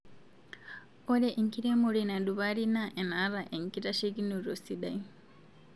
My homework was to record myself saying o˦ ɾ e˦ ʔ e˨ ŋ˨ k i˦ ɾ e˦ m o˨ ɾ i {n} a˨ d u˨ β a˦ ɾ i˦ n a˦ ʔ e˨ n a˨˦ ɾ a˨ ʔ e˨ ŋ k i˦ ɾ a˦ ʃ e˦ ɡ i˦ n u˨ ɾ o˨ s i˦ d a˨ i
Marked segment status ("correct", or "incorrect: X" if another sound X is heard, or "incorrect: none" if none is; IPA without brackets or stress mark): correct